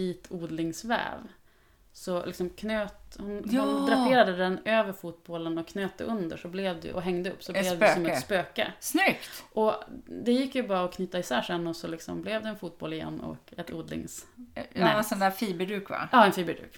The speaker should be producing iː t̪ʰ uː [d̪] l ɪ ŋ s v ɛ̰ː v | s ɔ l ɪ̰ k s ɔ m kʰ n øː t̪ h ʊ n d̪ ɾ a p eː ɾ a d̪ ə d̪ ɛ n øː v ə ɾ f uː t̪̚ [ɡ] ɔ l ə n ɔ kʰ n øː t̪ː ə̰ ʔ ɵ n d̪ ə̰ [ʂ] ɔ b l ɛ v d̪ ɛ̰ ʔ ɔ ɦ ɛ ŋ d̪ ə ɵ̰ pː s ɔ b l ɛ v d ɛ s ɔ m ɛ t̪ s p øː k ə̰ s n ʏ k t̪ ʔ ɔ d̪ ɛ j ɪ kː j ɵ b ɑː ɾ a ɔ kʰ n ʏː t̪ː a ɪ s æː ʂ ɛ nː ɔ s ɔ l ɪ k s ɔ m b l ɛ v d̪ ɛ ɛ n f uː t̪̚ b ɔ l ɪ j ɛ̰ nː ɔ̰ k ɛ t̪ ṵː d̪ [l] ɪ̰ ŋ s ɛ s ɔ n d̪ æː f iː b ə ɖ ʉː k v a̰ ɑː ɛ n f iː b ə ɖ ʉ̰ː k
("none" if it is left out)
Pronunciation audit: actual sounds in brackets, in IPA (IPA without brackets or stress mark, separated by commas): d̪, b, ʂ, l